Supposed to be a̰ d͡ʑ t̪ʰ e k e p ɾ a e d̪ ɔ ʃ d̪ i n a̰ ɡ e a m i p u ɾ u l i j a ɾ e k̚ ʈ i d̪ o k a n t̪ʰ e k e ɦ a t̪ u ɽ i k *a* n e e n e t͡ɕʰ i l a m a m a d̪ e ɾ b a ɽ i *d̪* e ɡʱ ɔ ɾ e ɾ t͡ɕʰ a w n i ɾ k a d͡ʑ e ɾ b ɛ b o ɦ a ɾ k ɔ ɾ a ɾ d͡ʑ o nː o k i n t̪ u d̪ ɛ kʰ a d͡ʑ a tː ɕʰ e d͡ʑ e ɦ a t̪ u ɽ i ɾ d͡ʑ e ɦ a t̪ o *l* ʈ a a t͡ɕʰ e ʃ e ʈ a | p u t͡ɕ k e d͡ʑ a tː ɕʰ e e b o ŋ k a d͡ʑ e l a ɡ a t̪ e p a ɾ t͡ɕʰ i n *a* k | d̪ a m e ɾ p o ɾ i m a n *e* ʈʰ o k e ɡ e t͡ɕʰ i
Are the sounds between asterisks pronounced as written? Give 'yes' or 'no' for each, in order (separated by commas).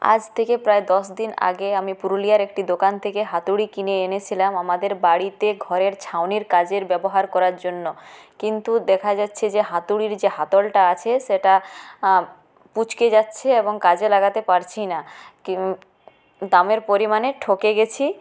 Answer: no, no, yes, yes, yes